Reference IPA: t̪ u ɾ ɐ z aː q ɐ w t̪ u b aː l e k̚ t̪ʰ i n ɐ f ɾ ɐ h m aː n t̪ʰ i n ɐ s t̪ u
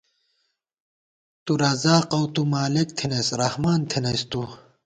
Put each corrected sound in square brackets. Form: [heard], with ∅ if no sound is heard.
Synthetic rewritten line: t̪ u ɾ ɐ z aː q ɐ w t̪ u [m] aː l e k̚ t̪ʰ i n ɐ [s] ɾ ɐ h m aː n t̪ʰ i n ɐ s t̪ u